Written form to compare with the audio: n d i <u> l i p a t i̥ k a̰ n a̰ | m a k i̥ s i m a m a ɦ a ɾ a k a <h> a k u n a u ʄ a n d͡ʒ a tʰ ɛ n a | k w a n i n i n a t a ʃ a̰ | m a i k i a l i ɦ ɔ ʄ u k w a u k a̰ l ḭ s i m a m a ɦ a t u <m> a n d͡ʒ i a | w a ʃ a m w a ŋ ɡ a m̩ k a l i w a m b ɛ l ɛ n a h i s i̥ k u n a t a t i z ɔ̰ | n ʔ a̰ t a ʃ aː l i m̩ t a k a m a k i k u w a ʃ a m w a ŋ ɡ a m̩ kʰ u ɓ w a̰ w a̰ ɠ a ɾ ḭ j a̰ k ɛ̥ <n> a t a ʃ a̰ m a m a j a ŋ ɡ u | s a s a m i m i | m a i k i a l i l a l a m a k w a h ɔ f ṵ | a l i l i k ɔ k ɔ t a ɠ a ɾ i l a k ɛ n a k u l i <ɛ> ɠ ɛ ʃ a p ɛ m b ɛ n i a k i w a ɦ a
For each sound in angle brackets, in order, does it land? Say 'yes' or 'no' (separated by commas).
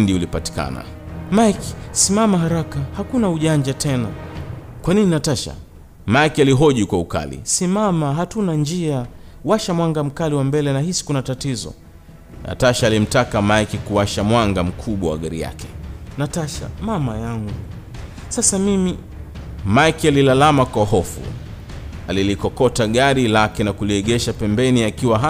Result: yes, yes, no, yes, yes